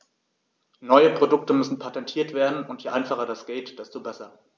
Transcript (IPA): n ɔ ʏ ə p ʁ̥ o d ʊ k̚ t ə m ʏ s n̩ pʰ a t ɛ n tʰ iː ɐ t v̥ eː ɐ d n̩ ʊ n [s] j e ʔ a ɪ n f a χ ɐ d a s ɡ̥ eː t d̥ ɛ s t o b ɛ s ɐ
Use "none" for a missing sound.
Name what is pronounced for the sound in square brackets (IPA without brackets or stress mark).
t